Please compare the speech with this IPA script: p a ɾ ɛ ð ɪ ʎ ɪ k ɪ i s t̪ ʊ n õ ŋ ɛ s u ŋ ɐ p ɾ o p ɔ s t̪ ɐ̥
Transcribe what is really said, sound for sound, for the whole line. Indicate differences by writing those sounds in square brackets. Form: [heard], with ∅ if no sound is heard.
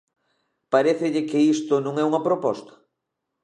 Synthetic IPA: p a ɾ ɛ [θ] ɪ ʎ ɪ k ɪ i s t̪ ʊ n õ ŋ ɛ [∅] u ŋ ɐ p ɾ o p ɔ s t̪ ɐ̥